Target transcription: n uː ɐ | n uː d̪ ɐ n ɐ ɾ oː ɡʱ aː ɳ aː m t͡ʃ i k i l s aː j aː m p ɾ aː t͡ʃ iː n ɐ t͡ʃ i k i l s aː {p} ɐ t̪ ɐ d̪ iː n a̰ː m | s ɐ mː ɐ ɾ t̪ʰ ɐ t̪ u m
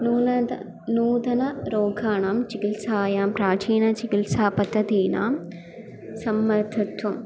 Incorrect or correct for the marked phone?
correct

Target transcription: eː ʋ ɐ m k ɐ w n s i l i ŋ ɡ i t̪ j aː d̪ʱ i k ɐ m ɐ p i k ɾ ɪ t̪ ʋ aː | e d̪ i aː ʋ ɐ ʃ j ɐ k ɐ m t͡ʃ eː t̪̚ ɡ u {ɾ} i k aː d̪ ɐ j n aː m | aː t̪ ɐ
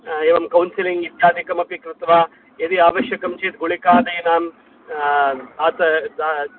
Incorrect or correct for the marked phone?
incorrect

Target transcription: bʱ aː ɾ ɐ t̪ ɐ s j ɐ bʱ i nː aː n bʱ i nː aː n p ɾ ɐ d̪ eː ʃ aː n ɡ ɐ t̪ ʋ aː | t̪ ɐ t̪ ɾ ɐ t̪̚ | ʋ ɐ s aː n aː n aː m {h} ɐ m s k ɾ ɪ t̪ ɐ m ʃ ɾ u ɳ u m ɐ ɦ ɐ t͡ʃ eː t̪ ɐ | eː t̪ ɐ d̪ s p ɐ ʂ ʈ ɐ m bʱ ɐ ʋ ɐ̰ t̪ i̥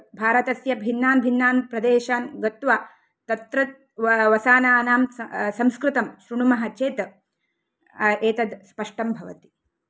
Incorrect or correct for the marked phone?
incorrect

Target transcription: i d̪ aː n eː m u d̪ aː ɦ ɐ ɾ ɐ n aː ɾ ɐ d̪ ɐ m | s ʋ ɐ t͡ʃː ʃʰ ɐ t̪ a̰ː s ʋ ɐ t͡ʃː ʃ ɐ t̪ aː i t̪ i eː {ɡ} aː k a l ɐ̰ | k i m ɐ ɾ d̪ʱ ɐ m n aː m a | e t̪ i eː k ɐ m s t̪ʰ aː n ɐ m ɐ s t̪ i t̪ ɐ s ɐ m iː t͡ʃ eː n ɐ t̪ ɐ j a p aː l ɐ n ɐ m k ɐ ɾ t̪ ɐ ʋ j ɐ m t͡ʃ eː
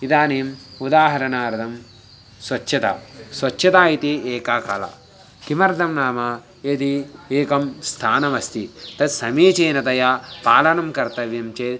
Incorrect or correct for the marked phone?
incorrect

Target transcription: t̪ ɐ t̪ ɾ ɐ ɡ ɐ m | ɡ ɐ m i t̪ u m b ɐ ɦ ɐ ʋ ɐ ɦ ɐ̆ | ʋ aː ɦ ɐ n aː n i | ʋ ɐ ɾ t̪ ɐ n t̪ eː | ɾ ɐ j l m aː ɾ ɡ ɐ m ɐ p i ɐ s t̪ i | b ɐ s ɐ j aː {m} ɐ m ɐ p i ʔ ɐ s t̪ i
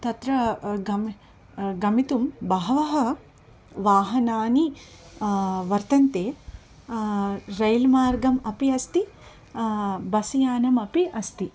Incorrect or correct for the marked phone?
incorrect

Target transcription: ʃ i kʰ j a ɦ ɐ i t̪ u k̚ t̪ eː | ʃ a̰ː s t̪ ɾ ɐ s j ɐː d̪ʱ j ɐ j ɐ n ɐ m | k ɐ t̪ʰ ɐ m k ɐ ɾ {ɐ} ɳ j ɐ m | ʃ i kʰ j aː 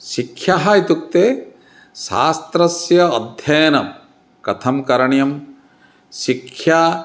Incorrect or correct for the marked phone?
correct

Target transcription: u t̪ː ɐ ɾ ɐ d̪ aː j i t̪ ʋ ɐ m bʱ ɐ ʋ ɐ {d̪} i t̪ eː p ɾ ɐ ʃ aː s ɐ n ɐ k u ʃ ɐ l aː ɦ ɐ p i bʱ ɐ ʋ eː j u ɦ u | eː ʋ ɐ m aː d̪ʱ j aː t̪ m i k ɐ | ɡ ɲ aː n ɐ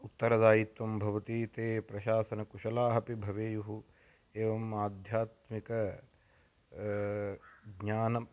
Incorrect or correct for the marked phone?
incorrect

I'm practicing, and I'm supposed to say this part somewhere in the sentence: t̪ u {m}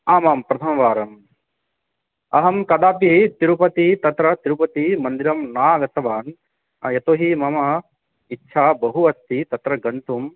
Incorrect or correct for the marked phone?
correct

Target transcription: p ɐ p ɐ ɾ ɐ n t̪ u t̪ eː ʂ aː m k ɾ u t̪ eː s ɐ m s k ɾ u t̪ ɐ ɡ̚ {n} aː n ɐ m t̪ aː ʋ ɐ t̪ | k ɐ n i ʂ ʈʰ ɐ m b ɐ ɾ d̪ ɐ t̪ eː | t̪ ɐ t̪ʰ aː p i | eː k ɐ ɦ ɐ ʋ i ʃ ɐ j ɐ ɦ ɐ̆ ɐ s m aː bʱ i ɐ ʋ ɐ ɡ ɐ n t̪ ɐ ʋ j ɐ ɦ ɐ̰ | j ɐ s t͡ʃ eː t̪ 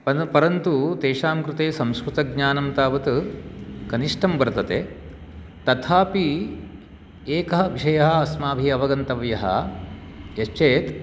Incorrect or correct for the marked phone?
incorrect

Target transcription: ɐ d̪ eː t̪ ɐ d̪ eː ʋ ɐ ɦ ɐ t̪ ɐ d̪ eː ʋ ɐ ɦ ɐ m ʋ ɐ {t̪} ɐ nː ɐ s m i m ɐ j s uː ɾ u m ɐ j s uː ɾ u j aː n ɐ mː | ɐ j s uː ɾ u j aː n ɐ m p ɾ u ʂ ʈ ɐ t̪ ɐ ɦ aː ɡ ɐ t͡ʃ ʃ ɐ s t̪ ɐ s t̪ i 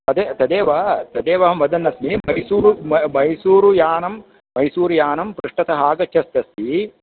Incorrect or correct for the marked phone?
incorrect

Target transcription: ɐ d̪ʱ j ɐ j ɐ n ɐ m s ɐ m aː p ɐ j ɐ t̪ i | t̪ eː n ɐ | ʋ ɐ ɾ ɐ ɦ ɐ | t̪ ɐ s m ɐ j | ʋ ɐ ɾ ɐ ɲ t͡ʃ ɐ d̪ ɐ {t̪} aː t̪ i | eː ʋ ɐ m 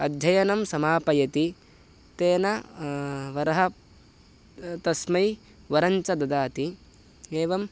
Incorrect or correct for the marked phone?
incorrect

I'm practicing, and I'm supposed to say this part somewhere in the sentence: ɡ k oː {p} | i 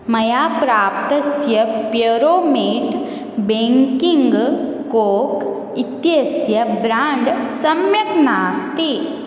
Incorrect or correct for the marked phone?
incorrect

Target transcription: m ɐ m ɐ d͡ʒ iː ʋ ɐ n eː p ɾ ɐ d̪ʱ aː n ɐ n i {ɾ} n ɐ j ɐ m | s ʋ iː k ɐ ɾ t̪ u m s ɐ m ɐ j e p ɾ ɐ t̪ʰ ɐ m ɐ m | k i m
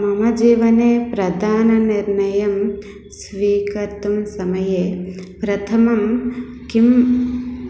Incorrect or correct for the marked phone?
correct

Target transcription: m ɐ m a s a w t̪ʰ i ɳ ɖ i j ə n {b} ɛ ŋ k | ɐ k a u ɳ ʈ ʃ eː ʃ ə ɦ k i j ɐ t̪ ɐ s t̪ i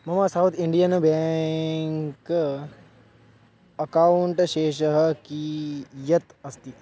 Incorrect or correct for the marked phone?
correct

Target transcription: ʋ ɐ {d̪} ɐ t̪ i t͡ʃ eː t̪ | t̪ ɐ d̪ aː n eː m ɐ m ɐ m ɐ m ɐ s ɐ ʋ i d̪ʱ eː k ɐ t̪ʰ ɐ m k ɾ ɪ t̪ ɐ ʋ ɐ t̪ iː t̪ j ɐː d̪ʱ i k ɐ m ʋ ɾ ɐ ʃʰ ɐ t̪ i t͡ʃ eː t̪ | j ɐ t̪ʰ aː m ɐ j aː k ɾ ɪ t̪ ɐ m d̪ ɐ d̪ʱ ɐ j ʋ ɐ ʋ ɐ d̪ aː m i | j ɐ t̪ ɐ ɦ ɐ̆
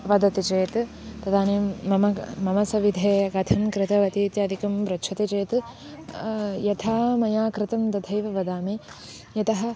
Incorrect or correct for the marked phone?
correct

